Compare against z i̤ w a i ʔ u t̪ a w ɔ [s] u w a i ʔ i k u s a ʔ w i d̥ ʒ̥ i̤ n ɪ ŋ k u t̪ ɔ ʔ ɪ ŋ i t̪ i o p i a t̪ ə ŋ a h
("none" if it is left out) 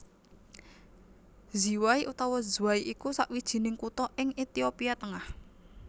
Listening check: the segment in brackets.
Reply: z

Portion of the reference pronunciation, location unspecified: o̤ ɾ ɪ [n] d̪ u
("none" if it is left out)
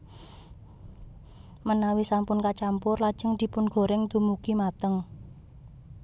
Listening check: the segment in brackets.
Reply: ŋ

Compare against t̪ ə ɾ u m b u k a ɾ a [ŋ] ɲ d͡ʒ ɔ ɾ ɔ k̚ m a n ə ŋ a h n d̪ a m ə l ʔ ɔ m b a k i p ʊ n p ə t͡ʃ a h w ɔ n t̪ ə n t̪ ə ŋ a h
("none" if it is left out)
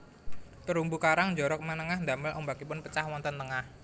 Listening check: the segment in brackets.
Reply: ŋ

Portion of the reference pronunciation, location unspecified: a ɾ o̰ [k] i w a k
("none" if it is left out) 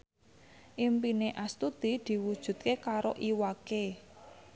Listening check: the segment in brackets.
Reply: ʔ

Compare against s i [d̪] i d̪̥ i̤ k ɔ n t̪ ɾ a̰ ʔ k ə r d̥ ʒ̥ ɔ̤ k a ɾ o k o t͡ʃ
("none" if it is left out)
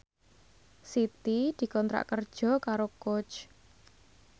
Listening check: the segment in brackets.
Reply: t̪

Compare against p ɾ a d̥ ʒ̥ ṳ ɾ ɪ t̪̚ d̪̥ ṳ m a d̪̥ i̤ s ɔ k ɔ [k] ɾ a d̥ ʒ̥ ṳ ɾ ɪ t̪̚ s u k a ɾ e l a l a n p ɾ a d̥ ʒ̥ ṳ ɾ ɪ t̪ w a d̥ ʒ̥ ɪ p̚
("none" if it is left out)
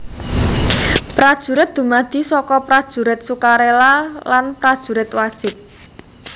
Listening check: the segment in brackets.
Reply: p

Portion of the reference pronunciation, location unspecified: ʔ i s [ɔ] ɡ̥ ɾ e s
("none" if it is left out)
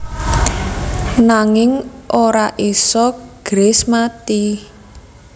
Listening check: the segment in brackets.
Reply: ɔ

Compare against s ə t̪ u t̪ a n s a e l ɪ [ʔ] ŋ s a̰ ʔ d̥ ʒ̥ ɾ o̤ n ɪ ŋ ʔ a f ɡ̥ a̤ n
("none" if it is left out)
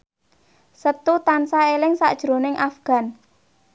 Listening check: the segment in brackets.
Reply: none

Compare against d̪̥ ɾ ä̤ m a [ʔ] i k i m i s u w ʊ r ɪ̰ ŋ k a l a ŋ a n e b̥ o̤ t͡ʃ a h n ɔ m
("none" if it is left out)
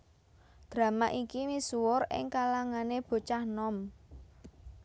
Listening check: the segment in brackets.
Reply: ʔ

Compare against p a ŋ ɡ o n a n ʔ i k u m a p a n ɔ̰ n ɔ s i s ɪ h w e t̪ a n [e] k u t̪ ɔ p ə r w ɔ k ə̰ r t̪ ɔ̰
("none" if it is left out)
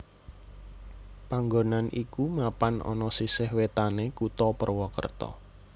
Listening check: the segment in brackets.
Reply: e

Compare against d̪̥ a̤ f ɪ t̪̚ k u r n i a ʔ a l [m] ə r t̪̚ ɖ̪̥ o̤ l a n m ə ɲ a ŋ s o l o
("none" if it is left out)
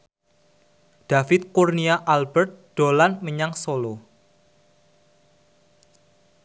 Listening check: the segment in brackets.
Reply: b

